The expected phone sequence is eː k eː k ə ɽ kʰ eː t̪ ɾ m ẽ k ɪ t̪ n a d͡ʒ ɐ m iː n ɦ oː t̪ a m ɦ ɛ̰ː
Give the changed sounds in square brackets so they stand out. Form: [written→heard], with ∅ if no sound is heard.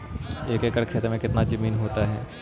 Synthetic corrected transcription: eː k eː k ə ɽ kʰ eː t̪ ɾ m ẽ k ɪ t̪ n a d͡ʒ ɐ m iː n ɦ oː t̪ a [m→∅] ɦ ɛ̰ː

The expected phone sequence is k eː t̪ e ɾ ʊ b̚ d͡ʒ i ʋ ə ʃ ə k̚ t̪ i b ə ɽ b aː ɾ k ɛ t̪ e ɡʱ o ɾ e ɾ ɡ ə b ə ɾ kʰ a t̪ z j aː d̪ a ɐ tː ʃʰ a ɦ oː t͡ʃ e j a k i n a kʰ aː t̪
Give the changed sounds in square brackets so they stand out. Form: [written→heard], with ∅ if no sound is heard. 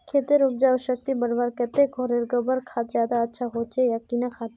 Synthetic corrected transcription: [k→kʰ] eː t̪ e ɾ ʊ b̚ d͡ʒ [i→a] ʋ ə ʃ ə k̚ t̪ i b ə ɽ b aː ɾ k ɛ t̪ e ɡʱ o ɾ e ɾ ɡ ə b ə ɾ kʰ a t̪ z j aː d̪ a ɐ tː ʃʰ a ɦ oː t͡ʃ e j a k i n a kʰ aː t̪

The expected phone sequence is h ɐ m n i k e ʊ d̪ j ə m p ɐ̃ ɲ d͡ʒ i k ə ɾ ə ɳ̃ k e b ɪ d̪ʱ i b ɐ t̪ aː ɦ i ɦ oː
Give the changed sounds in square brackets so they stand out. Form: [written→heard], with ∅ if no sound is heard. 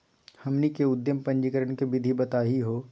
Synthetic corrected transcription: h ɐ m n i k e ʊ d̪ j ə m p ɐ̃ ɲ d͡ʒ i k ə ɾ ə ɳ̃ k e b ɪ d̪ʱ i b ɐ t̪ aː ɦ i ɦ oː

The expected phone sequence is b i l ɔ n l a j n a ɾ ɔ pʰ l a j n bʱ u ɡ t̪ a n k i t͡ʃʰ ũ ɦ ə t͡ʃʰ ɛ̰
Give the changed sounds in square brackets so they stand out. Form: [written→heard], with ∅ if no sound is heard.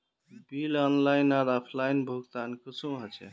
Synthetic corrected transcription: b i l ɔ n l a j n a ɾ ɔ pʰ l a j n bʱ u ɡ t̪ a n k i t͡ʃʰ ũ ɦ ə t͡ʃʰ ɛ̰

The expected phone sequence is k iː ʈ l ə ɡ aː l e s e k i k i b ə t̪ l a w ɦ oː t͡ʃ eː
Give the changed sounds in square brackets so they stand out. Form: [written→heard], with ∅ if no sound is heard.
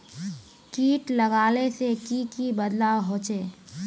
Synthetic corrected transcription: k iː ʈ l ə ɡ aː l e s e k i k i b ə [t̪→d̪] l a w ɦ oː t͡ʃ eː

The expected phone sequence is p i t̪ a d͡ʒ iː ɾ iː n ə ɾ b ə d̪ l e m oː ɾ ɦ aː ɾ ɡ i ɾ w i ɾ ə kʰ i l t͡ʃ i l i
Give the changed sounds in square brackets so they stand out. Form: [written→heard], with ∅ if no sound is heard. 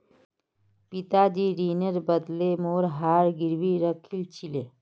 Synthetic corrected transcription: p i t̪ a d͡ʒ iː ɾ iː n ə ɾ b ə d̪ l e m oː ɾ ɦ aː ɾ ɡ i ɾ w i ɾ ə kʰ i l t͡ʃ i l [i→e]

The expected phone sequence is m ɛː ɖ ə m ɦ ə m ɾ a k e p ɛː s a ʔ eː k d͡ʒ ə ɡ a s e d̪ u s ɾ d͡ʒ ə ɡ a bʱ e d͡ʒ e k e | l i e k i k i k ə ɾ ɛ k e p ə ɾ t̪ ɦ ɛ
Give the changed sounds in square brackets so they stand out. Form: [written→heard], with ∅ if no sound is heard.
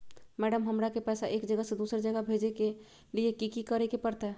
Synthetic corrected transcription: m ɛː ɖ ə m ɦ ə m ɾ a k e p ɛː s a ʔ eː k d͡ʒ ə ɡ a s e d̪ u s ɾ d͡ʒ ə ɡ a bʱ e d͡ʒ e k e | l i e k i k i k ə ɾ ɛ k e p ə ɾ t̪ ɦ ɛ

